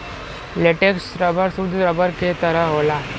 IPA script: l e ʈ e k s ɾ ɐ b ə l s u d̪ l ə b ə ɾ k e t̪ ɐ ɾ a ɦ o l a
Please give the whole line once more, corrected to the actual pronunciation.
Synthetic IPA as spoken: l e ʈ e k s ɾ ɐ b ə ɾ s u d̪ ɾ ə b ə ɾ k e t̪ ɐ ɾ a ɦ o l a

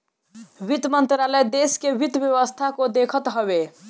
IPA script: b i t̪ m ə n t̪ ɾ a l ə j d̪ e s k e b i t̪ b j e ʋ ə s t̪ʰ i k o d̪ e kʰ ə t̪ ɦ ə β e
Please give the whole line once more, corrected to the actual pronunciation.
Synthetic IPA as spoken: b i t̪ m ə n t̪ ɾ a l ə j d̪ e s k e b i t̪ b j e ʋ ə s t̪ʰ a k o d̪ e kʰ ə t̪ ɦ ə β e

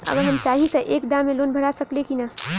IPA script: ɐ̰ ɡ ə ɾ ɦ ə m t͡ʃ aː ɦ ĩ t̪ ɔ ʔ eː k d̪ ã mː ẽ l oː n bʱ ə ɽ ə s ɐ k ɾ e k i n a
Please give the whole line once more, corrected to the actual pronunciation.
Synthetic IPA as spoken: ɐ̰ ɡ ə ɾ ɦ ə m t͡ʃ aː ɦ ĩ t̪ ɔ ʔ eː k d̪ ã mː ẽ l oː n bʱ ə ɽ a s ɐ k l e k i n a

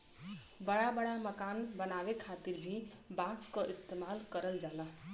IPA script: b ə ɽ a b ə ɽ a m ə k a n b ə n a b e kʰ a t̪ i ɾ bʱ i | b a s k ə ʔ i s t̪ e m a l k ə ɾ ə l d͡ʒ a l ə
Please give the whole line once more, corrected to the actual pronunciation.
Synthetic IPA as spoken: b ə ɽ a b ə ɽ a m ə k a n b ə n a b e kʰ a t̪ i ɾ bʱ i | b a s k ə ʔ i s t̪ e m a l k ə ɾ ə l d͡ʒ a l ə

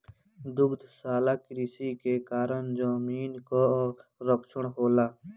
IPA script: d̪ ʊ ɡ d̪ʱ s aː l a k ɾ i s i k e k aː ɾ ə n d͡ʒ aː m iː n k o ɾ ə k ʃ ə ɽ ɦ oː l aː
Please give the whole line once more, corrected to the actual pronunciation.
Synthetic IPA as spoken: d̪ ʊ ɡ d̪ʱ s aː l a k ɾ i s i k e k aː ɾ ə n d͡ʒ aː m iː n k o ɾ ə k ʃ ə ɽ ɦ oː l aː

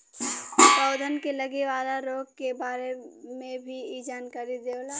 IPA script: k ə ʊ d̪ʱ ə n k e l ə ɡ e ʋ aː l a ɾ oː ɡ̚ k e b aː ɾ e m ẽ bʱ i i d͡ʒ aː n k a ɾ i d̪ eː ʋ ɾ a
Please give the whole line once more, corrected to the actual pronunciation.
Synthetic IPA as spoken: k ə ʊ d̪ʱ ə n k e l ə ɡ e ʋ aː l a ɾ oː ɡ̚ k e b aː ɾ e m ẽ bʱ i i d͡ʒ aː n k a ɾ i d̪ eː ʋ l a

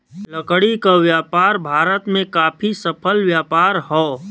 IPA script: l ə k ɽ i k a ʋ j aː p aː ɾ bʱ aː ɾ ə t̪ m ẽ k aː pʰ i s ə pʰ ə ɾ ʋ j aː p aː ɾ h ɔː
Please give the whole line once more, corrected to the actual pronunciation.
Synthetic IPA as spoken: l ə k ɽ i k a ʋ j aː p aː ɾ bʱ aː ɾ ə t̪ m ẽ k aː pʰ i s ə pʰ ə l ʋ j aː p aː ɾ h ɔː

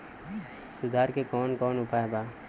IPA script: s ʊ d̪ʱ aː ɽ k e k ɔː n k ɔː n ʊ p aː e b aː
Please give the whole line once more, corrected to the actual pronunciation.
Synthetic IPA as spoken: s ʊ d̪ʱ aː ɾ k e k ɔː n k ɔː n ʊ p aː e b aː

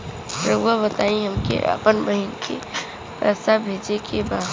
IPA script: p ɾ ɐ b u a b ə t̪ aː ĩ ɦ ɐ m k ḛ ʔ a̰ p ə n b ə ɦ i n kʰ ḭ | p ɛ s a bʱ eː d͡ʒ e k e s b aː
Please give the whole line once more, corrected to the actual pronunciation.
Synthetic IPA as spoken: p ɾ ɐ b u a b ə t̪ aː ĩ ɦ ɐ m k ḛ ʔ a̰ p ə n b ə ɦ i n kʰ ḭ | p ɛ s a bʱ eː d͡ʒ e k e b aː

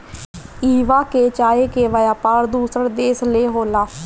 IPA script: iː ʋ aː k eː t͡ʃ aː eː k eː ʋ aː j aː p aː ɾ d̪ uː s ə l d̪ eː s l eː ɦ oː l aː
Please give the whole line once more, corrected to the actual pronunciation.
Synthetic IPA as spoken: iː ʋ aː k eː t͡ʃ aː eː k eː ʋ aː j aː p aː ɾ d̪ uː s ə ɾ d̪ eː s l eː ɦ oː l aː

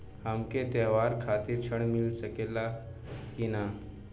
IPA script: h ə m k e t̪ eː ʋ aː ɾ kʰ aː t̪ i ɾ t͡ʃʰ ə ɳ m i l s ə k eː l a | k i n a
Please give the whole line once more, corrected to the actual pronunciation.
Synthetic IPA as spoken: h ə m k e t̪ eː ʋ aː ɾ kʰ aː t̪ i ɾ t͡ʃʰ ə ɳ m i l s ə k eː l a | k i n a

